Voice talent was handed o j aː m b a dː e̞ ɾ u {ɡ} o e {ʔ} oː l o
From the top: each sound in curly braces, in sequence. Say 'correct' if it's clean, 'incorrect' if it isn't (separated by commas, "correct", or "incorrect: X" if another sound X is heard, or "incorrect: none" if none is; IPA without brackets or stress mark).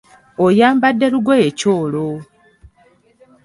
correct, incorrect: c